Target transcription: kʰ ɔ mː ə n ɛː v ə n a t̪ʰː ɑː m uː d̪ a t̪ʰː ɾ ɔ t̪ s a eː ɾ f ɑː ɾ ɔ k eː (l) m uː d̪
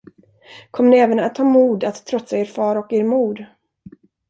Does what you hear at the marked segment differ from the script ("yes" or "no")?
yes